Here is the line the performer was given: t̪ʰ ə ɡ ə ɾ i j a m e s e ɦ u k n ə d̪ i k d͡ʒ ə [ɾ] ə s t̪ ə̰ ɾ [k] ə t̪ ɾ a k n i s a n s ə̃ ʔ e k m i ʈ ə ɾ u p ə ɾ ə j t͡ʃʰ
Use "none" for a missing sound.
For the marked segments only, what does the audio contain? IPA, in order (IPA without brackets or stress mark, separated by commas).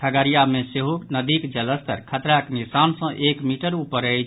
l, kʰ